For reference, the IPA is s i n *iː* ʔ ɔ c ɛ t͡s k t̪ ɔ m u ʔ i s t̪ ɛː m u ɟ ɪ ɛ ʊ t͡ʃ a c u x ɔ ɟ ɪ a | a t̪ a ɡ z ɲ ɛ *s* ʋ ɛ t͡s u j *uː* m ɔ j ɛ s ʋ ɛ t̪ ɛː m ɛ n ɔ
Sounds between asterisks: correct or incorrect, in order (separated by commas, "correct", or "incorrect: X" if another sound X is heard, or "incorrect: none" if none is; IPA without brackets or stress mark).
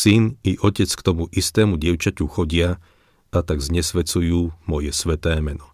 incorrect: i, correct, correct